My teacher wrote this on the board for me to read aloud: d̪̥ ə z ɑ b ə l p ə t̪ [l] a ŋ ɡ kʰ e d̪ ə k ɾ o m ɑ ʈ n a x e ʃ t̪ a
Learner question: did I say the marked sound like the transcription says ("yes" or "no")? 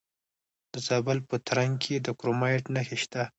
no